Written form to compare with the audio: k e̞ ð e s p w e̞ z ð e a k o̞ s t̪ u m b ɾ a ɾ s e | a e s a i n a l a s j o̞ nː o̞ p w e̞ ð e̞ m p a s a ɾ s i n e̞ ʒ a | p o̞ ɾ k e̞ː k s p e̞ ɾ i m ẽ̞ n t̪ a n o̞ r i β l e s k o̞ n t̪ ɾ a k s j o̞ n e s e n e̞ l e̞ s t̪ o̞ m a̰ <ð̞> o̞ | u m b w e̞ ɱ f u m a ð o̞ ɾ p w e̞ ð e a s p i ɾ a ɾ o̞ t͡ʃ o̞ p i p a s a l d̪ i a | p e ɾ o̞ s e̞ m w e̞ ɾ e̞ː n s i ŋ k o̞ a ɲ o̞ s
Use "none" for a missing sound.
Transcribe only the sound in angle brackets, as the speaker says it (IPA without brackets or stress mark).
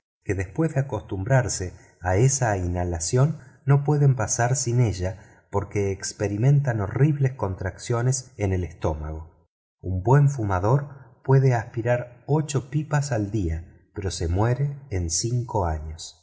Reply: ɣ̞